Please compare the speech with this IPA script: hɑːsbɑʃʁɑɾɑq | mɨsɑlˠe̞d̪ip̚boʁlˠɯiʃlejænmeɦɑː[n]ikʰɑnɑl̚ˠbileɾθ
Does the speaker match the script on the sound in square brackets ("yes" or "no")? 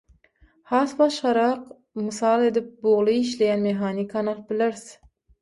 yes